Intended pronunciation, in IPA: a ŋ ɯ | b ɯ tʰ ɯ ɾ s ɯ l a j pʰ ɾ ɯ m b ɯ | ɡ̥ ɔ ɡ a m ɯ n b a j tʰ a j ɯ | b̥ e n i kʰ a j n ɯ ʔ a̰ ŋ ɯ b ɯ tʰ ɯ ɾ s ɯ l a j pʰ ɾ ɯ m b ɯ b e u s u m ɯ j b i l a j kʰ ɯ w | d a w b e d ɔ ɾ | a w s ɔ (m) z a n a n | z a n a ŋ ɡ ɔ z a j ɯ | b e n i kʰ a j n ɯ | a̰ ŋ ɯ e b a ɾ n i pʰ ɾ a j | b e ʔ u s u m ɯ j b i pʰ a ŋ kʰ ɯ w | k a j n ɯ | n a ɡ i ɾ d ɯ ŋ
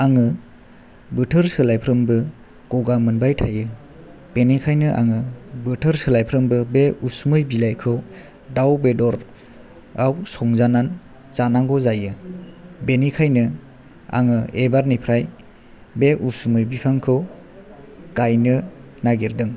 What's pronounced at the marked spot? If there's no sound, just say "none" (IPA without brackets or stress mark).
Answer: ŋ